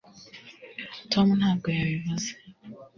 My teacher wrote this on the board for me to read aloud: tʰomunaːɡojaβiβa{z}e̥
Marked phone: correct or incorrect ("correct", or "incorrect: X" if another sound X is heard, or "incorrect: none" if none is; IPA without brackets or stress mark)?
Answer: correct